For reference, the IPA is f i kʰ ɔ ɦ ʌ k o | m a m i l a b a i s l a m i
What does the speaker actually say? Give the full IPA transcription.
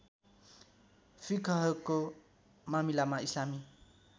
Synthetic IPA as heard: f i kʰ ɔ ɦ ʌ k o | m a m i l a m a i s l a m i